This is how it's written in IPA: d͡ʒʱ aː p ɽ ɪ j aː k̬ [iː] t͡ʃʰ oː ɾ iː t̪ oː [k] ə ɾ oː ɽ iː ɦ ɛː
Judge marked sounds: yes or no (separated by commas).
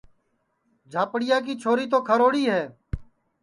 yes, no